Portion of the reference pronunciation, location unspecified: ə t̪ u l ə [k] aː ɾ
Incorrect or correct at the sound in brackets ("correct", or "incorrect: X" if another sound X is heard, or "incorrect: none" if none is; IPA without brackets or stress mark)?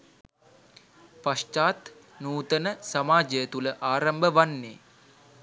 incorrect: ʔ